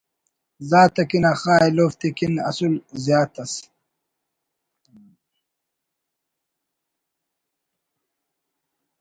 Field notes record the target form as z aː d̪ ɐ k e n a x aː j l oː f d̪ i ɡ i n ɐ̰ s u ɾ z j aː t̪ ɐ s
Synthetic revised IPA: z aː t̪ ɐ k i n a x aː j l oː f t̪ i k i n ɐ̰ s u l z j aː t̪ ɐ s

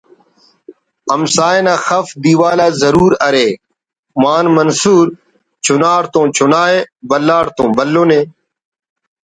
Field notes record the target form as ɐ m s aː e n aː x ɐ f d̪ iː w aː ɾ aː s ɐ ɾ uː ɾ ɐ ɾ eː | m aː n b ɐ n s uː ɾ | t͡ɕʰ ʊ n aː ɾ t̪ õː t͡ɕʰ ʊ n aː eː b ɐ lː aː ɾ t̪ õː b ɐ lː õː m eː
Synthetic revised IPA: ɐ m s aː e n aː x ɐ f d̪ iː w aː l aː z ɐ ɾ uː ɾ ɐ ɾ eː | m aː n m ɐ n s uː ɾ | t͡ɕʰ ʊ n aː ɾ t̪ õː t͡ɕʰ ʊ n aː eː b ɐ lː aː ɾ t̪ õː b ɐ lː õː n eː

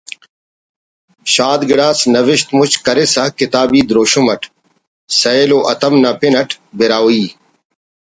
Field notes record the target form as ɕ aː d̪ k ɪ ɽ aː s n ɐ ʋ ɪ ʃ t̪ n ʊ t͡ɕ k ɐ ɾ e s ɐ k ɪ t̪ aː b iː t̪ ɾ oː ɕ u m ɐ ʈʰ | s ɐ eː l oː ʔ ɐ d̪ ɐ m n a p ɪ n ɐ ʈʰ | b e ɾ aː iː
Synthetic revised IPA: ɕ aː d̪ ɡ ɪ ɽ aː s n ɐ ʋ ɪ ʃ t̪ m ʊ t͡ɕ k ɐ ɾ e s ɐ k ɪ t̪ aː b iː d̪ ɾ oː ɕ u m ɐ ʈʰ | s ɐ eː l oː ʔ ɐ t̪ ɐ m n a p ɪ n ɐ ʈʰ | b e ɾ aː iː

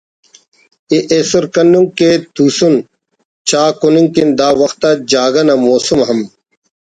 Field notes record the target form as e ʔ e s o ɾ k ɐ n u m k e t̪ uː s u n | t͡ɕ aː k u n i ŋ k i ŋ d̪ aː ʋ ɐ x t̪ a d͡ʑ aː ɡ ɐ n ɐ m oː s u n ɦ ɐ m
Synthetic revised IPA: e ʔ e s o ɾ k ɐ n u ŋ k e t̪ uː s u n | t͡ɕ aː k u n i ŋ k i n d̪ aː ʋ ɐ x t̪ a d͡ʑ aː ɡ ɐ n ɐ m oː s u m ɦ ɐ m

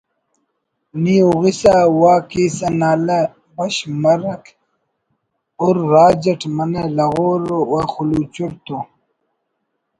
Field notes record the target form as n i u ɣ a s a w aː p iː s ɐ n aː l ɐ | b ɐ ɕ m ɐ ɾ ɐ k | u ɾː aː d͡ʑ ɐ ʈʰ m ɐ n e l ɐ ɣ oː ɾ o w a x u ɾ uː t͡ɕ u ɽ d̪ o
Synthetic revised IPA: n i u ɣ i s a w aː k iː s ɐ n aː l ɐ | b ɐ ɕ m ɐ ɾ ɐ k | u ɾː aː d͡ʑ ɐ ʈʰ m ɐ n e l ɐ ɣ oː ɾ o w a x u l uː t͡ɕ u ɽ t̪ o

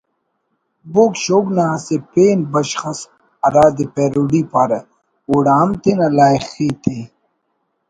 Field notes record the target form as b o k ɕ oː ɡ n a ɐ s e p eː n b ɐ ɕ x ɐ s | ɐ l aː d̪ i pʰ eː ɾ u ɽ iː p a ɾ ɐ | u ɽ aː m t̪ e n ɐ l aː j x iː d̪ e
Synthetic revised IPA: b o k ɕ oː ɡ n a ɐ s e p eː n b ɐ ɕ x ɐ s | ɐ ɾ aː d̪ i p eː ɾ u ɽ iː p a ɾ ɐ | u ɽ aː m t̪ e n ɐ l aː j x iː t̪ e

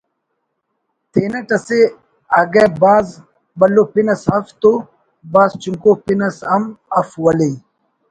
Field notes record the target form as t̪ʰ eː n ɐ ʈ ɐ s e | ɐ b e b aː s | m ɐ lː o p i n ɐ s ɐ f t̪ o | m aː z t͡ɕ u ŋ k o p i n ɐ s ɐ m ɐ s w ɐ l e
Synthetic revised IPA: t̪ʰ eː n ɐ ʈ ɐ s e | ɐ ɡ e b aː z | b ɐ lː o p i n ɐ s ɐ f t̪ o | b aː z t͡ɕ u ŋ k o p i n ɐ s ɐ m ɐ f w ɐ l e

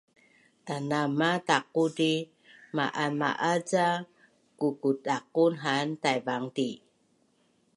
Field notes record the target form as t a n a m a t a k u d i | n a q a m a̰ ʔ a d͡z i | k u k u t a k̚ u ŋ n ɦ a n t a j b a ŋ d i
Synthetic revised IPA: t a n a m a t a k u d i | m a ʔ a m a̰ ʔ a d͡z a | k u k u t a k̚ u n ɦ a n t a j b a ŋ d i

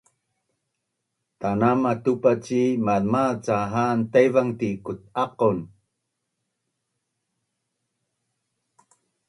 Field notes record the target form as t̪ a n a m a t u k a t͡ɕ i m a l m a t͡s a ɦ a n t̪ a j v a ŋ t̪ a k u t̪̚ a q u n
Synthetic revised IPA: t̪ a n a m a t u p a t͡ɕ i m a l m a t͡s a ɦ a n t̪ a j v a ŋ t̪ i k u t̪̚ a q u n

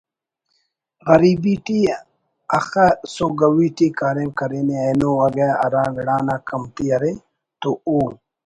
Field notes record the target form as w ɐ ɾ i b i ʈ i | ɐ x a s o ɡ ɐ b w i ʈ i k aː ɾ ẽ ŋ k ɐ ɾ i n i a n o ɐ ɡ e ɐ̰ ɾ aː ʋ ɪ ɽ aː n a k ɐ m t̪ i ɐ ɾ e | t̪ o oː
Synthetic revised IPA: ɣ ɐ ɾ i b i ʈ i | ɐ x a s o ɡ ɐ w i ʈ i k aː ɾ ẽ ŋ k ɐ ɾ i n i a n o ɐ ɡ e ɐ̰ ɾ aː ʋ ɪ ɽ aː n a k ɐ m t̪ i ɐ ɾ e | t̪ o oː

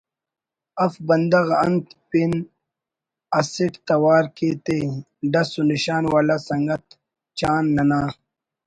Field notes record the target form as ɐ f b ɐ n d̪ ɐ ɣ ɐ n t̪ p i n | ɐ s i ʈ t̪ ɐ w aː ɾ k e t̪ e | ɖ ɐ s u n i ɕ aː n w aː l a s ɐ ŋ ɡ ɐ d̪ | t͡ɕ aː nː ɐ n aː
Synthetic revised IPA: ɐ f b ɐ n d̪ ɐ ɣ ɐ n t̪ p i n | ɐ s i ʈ t̪ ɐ w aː ɾ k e t̪ e | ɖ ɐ s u n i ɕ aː n w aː l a s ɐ ŋ ɡ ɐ t̪ | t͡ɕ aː nː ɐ n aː

